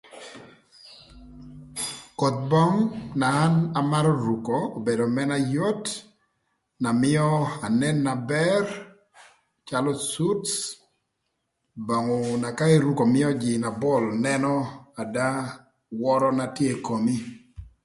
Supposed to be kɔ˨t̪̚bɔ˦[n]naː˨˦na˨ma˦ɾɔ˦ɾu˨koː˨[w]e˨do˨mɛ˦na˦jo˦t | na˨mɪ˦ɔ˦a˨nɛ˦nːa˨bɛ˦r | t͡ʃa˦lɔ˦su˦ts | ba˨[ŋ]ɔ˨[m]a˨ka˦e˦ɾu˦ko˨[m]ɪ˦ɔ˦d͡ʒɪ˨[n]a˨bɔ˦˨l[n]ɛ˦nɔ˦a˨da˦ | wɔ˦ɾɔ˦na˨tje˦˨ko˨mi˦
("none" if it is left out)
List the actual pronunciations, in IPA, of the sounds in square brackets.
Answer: ŋ, b, ŋ, n, m, n, n

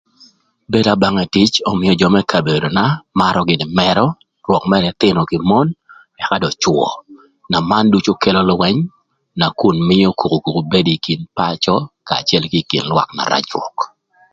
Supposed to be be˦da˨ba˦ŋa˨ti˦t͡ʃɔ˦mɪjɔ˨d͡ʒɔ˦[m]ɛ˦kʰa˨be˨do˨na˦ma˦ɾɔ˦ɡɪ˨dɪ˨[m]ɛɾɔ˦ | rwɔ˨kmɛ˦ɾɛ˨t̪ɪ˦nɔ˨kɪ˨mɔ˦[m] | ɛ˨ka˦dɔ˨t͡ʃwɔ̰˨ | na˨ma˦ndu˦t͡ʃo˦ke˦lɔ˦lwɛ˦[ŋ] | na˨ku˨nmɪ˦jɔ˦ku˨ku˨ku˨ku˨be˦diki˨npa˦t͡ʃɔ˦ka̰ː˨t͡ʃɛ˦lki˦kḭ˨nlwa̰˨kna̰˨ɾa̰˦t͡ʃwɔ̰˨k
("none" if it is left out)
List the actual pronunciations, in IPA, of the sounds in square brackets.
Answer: m, m, n, ɲ

